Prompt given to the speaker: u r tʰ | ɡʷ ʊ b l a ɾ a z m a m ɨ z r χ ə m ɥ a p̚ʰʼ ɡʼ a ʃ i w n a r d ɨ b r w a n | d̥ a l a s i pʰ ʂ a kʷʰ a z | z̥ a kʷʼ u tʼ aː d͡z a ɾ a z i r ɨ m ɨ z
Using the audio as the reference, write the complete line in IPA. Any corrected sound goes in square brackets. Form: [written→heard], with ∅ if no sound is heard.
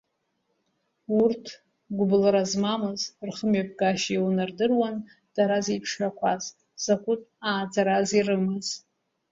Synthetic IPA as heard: u r tʰ | ɡʷ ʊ b l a ɾ a z m a m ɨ z r χ ə m ɥ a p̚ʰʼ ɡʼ a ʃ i w n a r d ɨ [b→∅] r w a n | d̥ a [l→ɾ] a [s→z] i pʰ ʂ a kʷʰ a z | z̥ a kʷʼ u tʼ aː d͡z a ɾ a z i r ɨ m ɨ z